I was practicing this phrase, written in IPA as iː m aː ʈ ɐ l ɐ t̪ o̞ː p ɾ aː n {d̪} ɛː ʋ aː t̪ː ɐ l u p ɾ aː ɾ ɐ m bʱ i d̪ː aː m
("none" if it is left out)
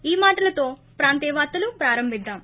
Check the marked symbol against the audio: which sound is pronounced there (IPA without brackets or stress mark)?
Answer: t̪